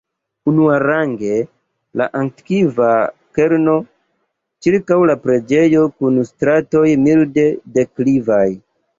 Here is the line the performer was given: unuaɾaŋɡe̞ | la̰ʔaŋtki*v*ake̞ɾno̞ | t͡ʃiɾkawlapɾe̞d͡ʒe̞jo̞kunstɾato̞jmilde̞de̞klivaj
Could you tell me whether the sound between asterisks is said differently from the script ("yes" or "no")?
no